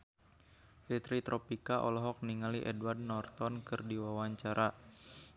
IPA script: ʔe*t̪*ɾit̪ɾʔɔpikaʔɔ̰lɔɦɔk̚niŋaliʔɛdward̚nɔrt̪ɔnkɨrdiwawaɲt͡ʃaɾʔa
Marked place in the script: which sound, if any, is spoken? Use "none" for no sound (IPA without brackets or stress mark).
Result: t̪